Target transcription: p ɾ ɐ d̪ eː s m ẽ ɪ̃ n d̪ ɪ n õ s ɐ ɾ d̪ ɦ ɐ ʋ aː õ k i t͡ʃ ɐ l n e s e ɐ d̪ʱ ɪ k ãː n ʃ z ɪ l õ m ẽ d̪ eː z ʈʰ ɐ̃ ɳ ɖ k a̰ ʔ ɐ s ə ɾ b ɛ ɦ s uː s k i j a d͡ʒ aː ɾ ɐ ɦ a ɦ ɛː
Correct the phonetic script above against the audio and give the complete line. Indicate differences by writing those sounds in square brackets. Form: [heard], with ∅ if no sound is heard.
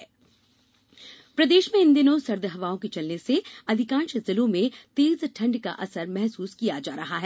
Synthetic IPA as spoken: p ɾ ɐ d̪ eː [ʃ] m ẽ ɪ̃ n d̪ ɪ n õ s ɐ ɾ d̪ ɦ ɐ ʋ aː õ k i t͡ʃ ɐ l n e s e ɐ d̪ʱ ɪ k ãː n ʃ z ɪ l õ m ẽ [t̪] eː z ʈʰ ɐ̃ ɳ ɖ k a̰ ʔ ɐ s ə ɾ [m] ɛ ɦ s uː s k i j a d͡ʒ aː ɾ ɐ ɦ a ɦ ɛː